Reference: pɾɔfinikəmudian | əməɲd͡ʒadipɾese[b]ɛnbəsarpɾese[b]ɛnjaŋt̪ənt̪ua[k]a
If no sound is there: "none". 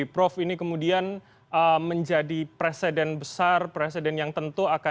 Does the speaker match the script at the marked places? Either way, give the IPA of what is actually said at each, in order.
d, d, k

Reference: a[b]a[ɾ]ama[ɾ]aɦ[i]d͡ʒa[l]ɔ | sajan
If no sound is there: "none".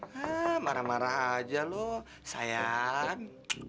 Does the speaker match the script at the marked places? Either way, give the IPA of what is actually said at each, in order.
m, ɾ, ɾ, a, l

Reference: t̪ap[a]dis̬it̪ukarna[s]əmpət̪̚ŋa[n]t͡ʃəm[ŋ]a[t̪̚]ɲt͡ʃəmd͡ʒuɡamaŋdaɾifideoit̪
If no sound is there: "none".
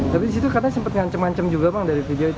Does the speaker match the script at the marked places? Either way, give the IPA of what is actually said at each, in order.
i, s, ɲ, ŋ, none

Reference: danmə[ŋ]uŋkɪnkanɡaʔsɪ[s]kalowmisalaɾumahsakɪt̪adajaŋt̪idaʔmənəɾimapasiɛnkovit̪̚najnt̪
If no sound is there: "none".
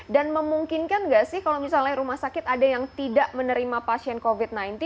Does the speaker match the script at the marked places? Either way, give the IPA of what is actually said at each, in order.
m, h

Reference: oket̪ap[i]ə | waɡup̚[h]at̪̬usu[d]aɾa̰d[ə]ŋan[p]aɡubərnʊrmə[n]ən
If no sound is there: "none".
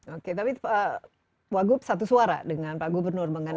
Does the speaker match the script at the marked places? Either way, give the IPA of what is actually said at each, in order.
i, s, none, ə, p, ŋ

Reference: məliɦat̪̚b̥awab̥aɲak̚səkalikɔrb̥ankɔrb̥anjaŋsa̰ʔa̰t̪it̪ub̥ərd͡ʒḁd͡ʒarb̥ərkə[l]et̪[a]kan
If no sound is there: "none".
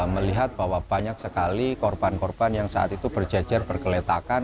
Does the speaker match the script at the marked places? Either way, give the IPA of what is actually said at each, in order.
l, a

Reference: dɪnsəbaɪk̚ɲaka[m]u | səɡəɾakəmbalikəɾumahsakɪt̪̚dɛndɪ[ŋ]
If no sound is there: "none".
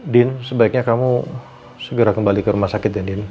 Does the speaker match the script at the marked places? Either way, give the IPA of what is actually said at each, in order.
m, n

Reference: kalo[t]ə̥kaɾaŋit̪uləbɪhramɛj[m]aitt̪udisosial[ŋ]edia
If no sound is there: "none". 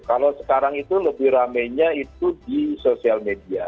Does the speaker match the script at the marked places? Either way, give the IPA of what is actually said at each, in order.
s, ɲ, m

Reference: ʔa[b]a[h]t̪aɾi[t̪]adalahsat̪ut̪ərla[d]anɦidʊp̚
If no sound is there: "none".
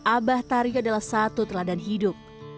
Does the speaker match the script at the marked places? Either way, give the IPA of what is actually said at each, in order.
b, h, none, d

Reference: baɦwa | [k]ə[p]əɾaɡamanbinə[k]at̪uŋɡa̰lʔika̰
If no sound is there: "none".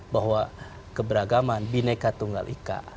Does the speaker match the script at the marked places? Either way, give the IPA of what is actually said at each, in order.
k, b, k

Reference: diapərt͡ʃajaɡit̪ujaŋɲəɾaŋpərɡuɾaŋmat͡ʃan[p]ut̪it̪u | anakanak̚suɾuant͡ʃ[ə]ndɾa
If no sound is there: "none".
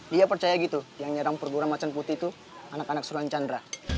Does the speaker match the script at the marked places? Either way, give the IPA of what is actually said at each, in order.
p, a

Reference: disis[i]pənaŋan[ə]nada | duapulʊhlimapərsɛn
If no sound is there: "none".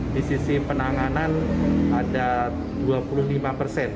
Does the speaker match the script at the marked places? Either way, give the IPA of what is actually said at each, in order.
i, a

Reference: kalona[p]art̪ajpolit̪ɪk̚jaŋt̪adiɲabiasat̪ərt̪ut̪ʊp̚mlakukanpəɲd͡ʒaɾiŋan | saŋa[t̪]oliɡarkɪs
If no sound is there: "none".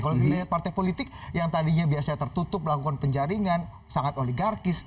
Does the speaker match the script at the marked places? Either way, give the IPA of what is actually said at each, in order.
p, t̪

